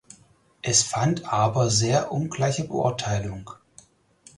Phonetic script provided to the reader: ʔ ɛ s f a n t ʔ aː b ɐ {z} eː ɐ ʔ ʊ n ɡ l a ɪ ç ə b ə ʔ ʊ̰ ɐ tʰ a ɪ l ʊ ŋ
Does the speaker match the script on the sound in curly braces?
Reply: yes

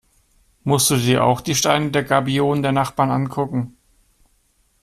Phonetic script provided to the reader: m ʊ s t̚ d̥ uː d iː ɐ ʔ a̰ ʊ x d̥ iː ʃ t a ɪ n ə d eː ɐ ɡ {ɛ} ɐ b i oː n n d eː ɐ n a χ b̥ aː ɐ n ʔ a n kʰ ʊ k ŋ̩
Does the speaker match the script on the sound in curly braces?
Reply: no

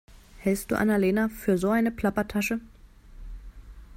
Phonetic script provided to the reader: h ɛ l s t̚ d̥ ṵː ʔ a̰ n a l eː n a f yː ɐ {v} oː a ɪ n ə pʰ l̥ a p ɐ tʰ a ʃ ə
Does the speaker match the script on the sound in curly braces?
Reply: no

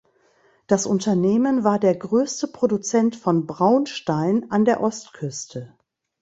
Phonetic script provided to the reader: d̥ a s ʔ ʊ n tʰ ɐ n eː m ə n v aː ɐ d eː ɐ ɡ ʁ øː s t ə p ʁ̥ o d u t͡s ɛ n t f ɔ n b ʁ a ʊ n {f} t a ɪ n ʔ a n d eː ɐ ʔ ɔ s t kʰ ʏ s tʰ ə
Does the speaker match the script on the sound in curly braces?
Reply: no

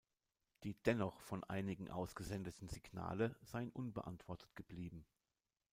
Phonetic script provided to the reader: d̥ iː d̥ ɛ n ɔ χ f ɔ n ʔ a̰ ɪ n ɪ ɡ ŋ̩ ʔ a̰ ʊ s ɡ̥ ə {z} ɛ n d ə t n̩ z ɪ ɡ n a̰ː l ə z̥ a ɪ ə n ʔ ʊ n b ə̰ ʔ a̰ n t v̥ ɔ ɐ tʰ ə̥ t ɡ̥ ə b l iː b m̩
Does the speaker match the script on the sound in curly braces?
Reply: yes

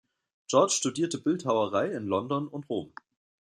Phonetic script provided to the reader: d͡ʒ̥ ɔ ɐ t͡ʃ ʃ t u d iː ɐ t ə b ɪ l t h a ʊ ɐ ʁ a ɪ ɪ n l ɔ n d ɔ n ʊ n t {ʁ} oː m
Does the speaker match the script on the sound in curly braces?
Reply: yes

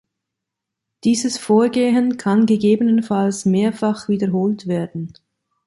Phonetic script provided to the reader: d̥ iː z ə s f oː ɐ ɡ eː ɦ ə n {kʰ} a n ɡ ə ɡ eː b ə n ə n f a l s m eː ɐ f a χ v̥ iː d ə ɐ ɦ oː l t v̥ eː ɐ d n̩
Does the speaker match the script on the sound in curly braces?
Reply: yes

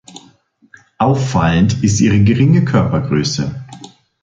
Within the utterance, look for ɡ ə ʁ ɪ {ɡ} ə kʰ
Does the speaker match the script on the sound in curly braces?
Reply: no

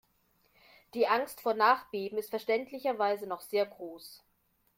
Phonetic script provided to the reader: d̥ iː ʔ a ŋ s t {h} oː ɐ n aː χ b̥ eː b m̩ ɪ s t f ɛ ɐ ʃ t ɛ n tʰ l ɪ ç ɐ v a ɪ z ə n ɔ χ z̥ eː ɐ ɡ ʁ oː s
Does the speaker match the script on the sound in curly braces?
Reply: no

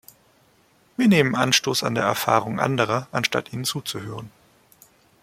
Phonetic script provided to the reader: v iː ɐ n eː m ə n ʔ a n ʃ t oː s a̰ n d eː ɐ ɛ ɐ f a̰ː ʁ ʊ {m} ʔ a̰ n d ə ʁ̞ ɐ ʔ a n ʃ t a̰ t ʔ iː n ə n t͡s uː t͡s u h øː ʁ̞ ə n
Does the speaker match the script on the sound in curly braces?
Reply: no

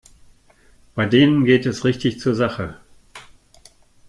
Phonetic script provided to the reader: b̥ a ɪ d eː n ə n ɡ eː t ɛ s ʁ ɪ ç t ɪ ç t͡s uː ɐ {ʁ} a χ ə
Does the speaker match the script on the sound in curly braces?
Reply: no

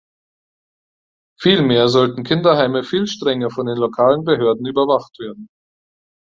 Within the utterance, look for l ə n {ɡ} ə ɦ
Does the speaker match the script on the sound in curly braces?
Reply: no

